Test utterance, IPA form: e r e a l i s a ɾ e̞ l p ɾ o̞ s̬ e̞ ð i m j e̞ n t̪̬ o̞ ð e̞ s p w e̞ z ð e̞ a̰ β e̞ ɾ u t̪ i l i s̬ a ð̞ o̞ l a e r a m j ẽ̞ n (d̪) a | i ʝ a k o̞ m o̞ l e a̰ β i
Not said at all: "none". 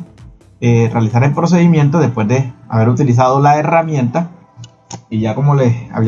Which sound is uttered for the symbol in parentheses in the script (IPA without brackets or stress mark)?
t̪